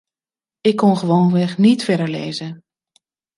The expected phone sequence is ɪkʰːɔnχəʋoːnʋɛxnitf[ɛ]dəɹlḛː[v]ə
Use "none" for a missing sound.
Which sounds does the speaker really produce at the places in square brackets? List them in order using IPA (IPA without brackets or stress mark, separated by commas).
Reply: ɛ, z